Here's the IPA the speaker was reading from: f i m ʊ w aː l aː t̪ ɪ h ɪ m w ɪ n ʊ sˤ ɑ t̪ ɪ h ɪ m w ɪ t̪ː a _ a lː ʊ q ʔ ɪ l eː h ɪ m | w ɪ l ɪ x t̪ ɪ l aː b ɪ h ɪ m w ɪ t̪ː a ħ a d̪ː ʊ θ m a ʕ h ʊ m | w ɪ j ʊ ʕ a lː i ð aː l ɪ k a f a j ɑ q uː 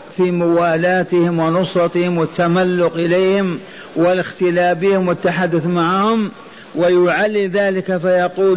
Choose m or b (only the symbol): m